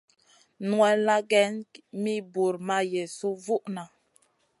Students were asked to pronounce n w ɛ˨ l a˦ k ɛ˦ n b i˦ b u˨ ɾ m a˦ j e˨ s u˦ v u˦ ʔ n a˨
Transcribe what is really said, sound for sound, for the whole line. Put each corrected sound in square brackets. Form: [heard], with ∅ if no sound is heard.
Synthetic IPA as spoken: n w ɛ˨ l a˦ [ɡ] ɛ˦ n [m] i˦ b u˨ ɾ m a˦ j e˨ s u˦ v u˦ ʔ n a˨